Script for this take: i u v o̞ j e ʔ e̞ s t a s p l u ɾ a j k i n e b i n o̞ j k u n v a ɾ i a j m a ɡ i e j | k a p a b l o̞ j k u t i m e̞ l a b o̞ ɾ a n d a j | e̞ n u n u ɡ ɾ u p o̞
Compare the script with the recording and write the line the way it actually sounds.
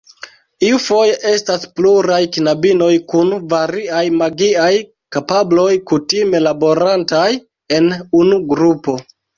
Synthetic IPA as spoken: i u f o̞ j e ʔ e̞ s t a s p l u ɾ a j k i n a b i n o̞ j k u n v a ɾ i a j m a ɡ i a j | k a p a b l o̞ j k u t i m e̞ l a b o̞ ɾ a n t a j | e̞ n u n u ɡ ɾ u p o̞